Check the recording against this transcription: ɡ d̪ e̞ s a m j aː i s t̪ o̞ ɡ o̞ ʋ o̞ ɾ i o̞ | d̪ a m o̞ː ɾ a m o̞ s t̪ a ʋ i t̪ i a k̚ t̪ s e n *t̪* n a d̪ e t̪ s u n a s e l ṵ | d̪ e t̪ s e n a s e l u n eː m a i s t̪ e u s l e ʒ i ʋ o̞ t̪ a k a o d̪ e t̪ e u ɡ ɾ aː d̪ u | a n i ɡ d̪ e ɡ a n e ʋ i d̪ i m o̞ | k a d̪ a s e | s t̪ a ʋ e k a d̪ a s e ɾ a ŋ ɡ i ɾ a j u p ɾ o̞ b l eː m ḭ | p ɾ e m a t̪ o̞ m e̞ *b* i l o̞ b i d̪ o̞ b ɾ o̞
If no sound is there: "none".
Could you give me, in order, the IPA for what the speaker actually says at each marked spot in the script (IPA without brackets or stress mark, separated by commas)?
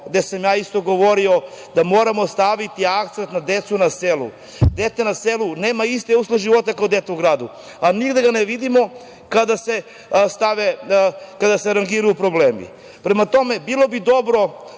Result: t̪, b